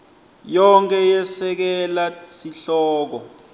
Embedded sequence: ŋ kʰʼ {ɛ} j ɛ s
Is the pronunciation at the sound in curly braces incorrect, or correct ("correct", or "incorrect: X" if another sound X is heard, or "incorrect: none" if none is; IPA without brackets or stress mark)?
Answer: correct